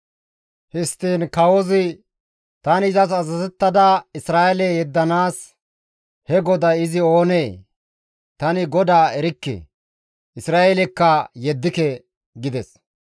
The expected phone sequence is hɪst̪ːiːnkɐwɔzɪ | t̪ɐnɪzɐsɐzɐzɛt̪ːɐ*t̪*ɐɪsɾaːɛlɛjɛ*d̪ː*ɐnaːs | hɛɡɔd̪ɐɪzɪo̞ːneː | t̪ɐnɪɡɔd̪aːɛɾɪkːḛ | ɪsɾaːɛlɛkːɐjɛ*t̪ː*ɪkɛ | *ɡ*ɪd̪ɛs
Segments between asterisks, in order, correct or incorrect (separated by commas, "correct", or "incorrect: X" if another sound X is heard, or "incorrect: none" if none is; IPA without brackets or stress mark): incorrect: d̪, correct, incorrect: d̪ː, correct